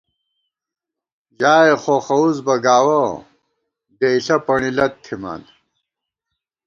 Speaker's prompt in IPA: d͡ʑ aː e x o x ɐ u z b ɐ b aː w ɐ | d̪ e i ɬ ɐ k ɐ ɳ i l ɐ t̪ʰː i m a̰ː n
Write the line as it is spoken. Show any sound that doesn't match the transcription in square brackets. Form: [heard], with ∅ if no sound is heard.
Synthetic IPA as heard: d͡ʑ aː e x o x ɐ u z b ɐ [ɡ] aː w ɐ | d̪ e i ɬ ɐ [p] ɐ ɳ i l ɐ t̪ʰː i m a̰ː n